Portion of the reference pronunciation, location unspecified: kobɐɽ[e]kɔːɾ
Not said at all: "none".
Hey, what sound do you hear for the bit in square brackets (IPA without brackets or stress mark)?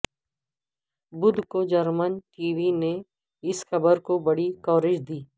i